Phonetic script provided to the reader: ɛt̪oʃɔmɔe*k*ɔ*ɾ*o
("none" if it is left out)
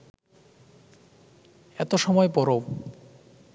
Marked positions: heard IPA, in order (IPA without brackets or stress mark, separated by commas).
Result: p, ɾ